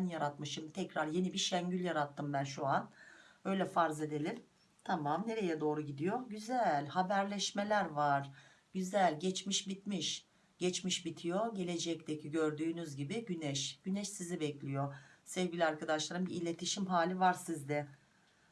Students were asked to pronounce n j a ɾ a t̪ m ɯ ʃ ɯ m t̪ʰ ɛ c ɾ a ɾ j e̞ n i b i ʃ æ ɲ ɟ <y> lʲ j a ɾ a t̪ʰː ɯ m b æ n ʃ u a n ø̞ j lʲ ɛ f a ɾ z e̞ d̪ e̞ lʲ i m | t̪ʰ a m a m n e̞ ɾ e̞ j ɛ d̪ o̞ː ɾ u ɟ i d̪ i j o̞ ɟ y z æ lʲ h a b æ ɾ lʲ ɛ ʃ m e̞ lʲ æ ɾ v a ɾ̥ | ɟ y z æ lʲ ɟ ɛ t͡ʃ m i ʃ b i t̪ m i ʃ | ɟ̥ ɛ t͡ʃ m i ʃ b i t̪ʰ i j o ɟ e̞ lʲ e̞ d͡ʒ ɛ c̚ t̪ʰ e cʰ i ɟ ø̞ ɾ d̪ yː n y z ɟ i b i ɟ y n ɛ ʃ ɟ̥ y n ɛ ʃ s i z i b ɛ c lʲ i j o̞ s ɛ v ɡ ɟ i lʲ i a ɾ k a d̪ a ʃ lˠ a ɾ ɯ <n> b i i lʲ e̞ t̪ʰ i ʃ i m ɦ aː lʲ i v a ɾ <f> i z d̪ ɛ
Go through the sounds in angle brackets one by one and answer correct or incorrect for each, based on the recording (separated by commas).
correct, incorrect, incorrect